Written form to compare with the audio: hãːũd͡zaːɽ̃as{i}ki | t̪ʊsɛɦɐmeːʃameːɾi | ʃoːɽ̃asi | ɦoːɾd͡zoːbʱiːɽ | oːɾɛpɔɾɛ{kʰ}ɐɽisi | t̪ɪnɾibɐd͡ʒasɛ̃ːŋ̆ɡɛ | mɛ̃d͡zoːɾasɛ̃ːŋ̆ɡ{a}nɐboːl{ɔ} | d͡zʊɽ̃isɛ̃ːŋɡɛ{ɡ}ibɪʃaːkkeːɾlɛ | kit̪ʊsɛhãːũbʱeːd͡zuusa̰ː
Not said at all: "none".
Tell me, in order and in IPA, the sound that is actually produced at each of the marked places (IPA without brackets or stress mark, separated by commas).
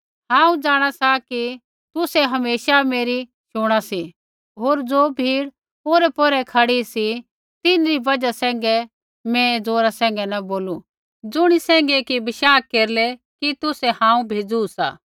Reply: a, kʰ, ɛ, u, k